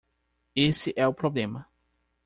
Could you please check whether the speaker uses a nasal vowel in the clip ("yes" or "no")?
yes